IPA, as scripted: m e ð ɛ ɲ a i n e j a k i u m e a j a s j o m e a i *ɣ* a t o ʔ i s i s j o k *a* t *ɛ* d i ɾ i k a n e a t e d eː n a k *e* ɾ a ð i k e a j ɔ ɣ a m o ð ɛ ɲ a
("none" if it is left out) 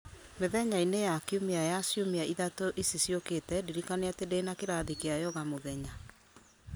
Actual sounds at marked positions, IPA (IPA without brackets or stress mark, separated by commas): ð, e, ɛ, e